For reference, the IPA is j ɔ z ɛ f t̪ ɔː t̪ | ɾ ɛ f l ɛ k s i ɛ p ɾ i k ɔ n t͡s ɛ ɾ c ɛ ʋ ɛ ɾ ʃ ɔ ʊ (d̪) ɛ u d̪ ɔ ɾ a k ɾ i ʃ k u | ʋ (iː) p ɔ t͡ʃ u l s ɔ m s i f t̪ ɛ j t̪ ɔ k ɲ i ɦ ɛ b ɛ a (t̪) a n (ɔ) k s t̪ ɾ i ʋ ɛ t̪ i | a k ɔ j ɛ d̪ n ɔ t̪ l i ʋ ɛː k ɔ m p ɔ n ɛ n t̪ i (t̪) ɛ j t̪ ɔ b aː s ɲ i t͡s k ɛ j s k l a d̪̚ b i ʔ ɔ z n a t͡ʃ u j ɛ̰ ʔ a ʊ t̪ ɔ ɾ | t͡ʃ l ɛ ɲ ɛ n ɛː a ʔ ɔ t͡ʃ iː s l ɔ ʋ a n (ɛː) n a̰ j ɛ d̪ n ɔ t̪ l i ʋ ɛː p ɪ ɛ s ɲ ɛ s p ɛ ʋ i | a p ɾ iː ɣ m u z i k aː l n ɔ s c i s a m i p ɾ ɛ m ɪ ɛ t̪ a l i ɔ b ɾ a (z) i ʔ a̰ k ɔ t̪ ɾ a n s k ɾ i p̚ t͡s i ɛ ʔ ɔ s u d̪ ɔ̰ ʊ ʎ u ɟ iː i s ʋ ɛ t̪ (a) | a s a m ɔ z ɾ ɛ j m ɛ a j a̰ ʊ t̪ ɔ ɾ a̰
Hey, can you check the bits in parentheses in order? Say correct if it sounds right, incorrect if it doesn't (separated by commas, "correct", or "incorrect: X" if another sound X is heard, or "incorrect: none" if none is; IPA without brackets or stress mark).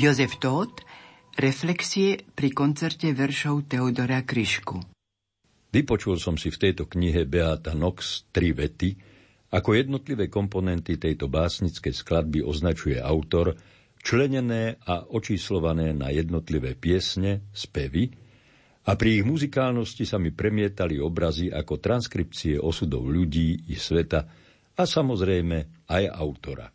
incorrect: t̪, incorrect: i, correct, correct, correct, correct, correct, correct